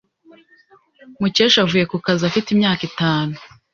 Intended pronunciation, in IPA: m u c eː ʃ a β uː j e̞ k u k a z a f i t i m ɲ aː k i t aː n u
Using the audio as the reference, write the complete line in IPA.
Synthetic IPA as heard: m u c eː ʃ a v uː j e̞ k u k a z a f i t i m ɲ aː k i t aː n u